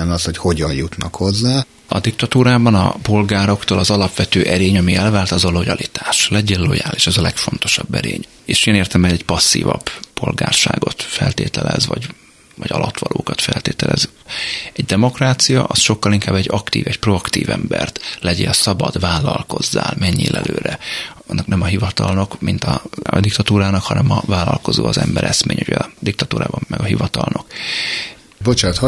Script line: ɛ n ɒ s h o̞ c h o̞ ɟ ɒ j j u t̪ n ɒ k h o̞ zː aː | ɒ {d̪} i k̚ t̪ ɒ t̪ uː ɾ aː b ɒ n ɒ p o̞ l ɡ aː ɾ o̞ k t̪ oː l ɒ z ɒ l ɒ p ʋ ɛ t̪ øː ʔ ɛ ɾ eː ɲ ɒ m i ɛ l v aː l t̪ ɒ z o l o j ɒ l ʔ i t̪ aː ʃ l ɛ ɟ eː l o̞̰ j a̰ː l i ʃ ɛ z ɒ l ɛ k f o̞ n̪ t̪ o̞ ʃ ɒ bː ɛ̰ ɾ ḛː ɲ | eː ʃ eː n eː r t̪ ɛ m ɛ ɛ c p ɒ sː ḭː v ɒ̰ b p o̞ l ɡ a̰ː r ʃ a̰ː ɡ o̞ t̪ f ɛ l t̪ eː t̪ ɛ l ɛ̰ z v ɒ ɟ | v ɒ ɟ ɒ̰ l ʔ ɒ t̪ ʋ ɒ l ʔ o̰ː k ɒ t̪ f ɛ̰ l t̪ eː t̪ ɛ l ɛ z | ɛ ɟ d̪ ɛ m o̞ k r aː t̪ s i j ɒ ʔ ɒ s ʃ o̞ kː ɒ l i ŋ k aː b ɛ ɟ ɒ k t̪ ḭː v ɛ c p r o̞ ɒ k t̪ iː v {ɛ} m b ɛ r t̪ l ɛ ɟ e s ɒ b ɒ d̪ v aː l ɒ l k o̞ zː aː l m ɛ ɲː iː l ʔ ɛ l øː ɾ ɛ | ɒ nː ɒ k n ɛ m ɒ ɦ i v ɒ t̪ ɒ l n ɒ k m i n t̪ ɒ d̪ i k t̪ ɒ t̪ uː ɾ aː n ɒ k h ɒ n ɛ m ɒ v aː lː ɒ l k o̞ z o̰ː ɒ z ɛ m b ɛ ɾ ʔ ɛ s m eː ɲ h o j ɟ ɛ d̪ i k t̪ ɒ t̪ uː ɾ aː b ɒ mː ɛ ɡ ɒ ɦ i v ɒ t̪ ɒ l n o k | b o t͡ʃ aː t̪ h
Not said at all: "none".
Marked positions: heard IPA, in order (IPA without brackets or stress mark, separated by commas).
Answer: d̪, ɛ